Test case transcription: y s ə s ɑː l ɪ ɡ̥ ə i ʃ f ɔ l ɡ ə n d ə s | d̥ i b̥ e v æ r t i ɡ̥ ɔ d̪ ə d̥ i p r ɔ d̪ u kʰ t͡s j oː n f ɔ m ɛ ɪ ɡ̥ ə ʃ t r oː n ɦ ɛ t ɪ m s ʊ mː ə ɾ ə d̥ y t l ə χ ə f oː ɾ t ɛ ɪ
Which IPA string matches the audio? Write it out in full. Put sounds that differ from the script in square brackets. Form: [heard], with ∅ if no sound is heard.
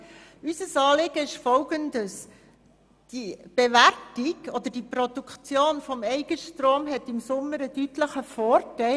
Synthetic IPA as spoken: y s ə s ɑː l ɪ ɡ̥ ə [ɪ] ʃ f ɔ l ɡ ə n d ə s | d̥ i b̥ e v æ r t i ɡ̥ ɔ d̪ ə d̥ i p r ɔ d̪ u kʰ t͡s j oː n f ɔ m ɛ ɪ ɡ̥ ə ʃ t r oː [m] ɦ ɛ t ɪ m s ʊ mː ə ɾ ə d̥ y t l ə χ ə f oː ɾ t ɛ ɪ